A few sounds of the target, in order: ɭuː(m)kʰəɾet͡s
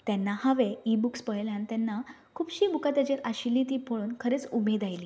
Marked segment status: incorrect: n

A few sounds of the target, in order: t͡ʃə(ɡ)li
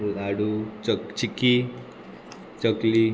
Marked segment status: incorrect: k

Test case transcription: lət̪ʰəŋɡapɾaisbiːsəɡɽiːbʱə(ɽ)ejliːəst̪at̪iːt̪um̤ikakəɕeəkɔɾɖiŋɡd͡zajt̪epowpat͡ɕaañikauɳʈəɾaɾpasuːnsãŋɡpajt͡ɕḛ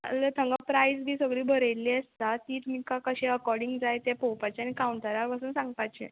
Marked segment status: incorrect: ɾ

